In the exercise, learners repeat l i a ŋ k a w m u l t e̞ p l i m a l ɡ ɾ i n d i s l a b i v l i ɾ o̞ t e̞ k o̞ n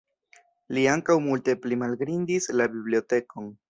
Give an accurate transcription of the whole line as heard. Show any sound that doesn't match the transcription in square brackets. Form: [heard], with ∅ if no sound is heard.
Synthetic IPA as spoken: l i a ŋ k a w m u l t e̞ p l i m a l ɡ ɾ i n d i s l a b i [b] l i [∅] o̞ t e̞ k o̞ n